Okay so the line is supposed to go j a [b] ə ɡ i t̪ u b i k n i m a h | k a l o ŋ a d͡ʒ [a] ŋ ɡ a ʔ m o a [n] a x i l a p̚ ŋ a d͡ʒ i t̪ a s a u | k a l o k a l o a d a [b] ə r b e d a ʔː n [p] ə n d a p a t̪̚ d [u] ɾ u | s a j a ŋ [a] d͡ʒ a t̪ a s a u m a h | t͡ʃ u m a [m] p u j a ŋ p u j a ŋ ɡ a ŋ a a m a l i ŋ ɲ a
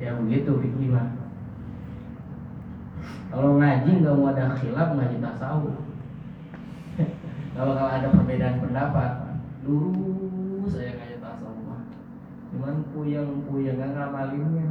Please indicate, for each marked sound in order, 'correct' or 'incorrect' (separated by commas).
correct, incorrect, incorrect, incorrect, correct, correct, correct, incorrect